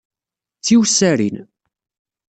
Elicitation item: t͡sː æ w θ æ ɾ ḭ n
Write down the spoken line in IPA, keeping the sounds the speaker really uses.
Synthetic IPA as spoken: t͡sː i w s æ ɾ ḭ n